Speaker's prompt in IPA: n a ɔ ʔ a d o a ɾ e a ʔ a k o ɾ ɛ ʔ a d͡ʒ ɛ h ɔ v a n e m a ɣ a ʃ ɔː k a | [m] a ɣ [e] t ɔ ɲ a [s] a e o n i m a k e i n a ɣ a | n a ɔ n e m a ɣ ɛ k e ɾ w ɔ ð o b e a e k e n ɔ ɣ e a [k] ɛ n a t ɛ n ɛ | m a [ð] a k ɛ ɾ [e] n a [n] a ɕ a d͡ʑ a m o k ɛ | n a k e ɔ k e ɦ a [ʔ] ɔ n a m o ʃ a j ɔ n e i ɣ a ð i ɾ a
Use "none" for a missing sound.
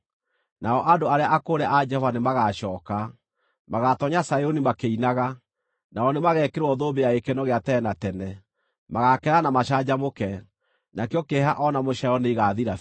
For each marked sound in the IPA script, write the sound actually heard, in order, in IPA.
m, a, s, t, ɣ, a, m, ʔ

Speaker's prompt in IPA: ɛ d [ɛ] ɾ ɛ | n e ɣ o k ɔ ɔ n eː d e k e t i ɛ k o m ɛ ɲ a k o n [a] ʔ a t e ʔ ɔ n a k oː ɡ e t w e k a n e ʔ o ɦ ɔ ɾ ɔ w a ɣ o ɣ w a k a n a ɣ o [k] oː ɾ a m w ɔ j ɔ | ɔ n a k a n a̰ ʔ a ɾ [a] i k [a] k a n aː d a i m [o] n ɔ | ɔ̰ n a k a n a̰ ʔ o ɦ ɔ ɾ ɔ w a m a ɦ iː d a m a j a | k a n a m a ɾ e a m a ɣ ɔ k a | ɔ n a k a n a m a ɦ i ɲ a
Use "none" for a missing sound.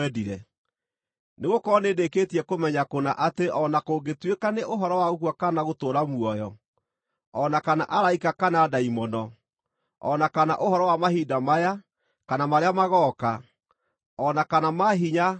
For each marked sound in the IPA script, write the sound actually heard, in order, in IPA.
i, a, t, a, a, ɔ

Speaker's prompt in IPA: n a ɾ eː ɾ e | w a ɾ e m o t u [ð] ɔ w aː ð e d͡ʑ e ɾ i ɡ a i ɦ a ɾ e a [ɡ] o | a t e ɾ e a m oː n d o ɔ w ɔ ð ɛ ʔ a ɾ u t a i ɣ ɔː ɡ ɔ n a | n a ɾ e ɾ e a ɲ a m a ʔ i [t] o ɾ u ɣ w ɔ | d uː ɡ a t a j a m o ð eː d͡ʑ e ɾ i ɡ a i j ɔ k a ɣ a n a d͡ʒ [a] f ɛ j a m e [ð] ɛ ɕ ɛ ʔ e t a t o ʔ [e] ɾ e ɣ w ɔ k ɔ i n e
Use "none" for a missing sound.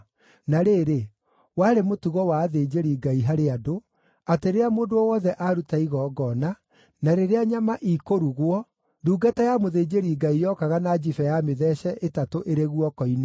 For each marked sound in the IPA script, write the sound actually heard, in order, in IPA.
ɣ, d, k, i, ð, e

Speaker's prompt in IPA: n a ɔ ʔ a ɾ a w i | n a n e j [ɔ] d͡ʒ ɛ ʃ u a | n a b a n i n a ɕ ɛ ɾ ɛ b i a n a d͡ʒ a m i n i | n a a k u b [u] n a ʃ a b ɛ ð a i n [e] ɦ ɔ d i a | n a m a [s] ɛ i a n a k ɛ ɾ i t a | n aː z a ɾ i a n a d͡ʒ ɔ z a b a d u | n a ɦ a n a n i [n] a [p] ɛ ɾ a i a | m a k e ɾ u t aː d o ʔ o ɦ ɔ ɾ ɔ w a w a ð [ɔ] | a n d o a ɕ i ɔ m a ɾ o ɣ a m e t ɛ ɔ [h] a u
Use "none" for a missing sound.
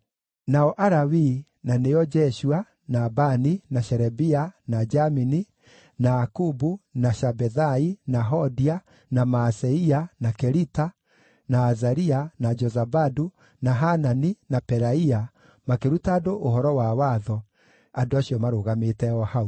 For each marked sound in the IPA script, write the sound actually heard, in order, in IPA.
ɔ, u, a, s, n, p, ɔ, h

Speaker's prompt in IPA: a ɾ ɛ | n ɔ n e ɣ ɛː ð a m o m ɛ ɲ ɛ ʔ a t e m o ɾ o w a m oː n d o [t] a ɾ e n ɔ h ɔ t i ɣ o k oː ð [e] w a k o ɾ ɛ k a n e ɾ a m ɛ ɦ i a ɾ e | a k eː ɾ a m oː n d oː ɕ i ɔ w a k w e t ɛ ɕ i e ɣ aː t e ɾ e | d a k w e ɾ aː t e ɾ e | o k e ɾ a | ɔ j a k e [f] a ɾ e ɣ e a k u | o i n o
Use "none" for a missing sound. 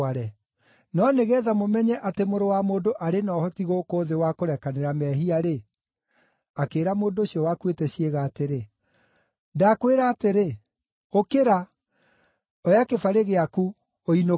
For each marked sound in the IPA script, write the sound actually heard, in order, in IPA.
ʔ, e, f

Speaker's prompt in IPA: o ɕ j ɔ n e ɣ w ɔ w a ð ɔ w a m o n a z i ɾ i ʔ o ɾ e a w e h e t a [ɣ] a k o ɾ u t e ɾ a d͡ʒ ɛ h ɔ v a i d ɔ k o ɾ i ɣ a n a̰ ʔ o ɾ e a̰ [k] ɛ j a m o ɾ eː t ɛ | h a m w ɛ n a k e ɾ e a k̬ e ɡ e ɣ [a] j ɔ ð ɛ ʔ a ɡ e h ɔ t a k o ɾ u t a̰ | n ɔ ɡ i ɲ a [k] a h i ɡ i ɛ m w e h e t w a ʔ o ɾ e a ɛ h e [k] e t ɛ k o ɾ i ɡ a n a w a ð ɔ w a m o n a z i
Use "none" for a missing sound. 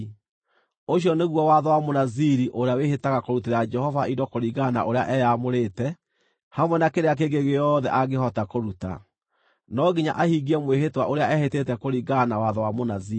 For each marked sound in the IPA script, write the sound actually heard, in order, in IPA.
ɣ, ʔ, e, ʔ, t

